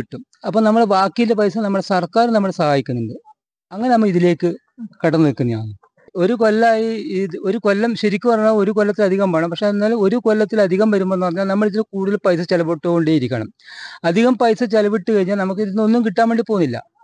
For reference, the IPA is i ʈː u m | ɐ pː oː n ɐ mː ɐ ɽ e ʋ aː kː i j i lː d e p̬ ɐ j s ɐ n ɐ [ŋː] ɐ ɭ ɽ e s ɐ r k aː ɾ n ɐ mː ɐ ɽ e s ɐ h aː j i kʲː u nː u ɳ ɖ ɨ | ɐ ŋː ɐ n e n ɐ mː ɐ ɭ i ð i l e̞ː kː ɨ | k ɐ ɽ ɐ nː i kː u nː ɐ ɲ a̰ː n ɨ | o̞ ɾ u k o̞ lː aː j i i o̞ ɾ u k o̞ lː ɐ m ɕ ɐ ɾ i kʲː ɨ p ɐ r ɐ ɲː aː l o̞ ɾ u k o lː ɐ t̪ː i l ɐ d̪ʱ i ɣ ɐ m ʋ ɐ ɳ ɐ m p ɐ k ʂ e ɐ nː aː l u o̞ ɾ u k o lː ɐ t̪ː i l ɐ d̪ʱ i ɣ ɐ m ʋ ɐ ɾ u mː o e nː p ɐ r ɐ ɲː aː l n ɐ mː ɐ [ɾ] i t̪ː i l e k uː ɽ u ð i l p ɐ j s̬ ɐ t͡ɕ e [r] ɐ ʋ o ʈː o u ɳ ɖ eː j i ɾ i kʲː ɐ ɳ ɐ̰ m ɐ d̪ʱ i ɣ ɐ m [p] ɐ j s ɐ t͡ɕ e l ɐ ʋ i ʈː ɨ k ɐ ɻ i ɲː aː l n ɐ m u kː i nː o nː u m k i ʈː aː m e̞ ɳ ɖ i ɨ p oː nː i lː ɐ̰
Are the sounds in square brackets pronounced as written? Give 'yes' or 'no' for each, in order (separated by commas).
no, no, no, yes